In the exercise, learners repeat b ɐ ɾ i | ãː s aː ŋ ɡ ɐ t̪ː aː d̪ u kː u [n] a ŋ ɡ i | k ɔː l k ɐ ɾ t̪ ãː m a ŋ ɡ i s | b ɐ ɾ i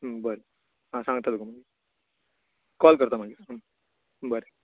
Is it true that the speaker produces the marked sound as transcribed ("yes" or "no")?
no